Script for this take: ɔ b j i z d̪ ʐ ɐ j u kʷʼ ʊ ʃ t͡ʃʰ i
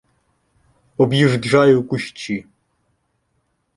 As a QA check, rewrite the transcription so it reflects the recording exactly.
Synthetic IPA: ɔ b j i ʐ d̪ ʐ a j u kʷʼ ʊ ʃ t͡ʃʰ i